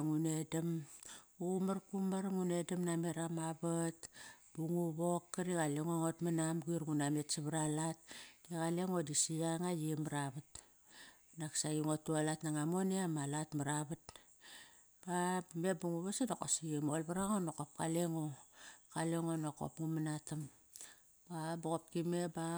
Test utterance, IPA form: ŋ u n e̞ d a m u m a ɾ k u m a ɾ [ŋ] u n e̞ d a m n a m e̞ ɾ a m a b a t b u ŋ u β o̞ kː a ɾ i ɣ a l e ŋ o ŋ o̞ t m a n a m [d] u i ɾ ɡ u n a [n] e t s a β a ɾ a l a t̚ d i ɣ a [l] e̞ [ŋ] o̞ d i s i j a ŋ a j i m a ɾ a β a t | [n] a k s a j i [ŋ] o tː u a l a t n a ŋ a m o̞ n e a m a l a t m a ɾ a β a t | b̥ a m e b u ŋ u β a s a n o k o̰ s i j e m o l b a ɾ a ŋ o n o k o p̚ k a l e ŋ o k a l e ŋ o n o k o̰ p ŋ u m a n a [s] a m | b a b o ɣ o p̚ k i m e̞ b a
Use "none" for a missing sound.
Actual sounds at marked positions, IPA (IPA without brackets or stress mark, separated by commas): ŋ, ɡ, m, l, ŋ, n, ŋ, t